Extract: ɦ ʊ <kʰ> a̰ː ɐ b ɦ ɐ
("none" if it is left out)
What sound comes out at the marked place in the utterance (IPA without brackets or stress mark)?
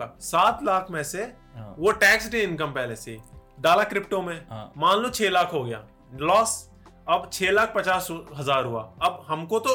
none